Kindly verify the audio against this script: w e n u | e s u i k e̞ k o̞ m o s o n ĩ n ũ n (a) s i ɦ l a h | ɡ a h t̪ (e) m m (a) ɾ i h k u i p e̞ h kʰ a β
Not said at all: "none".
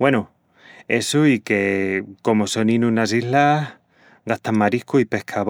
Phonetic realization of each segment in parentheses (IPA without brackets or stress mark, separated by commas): a, a, a